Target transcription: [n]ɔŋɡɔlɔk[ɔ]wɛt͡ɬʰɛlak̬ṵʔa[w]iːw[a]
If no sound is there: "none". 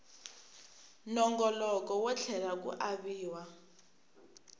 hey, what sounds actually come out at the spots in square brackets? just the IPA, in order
n, ɔ, β, a

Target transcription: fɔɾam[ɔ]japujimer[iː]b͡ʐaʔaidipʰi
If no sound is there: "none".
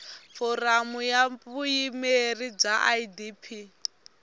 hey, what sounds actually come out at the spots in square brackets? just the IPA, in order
u, i

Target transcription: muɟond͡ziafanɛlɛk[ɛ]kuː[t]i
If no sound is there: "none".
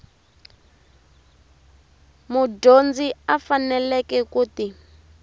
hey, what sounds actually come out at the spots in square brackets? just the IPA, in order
ɛ, t

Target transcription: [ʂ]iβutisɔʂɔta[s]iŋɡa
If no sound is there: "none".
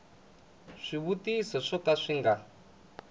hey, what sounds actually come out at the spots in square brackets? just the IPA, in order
ʂ, ʂ

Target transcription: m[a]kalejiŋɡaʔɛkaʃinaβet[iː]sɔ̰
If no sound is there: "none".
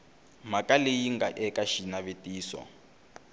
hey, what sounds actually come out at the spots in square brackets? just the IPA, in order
a, iː

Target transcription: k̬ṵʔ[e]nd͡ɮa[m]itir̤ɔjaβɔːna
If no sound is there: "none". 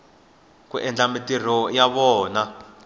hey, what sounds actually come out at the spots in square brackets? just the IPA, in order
ɛ, m

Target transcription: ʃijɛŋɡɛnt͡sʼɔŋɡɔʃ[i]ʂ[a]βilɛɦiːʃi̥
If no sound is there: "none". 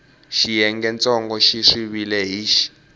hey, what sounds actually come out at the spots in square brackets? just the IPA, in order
i, i

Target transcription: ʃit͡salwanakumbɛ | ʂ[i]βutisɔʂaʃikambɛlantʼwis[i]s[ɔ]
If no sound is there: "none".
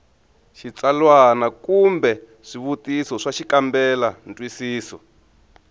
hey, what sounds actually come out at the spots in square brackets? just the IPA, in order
i, iː, ɔ

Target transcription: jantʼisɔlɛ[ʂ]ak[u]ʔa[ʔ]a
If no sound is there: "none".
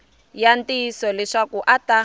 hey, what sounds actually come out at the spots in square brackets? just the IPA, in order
ʂ, u, t

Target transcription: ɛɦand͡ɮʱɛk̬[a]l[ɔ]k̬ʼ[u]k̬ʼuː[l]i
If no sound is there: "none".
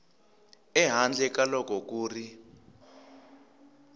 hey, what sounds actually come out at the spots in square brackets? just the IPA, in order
a, ɔ, ɔ, r

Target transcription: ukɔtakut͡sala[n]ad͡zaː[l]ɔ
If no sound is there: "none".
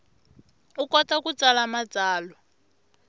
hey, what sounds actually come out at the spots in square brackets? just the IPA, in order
m, l

